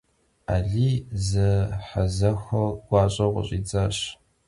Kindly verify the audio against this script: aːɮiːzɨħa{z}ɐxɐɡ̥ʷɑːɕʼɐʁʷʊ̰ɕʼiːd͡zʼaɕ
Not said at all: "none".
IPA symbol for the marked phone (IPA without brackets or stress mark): z